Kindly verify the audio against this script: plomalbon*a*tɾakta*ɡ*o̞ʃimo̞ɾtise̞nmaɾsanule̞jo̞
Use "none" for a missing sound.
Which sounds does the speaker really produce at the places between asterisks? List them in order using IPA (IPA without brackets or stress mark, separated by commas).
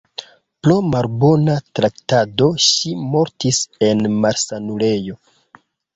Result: a, d